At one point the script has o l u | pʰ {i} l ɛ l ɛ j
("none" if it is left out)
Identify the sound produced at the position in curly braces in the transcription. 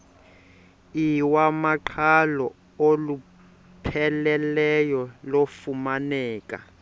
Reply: ɛ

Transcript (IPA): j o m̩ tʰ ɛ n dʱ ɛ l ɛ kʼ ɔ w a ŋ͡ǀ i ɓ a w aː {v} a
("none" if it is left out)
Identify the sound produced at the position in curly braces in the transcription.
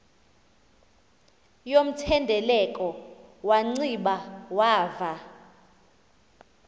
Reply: v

